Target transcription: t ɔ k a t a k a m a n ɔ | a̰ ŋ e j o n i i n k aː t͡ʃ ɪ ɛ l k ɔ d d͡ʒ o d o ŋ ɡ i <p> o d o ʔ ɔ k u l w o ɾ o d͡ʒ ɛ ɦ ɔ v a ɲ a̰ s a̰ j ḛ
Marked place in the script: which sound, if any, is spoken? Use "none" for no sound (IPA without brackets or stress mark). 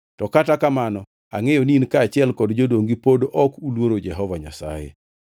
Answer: p